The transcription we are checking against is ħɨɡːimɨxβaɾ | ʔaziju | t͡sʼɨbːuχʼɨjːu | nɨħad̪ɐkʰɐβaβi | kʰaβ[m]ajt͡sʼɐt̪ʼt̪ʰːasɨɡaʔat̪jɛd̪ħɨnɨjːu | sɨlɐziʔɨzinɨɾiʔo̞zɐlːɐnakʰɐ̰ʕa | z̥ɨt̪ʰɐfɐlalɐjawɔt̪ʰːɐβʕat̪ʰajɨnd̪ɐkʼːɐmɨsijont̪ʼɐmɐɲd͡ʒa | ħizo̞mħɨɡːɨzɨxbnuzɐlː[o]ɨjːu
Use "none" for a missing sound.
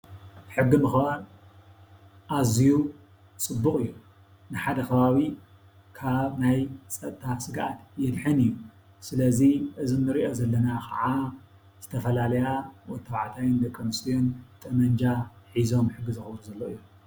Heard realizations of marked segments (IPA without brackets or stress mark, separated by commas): n, o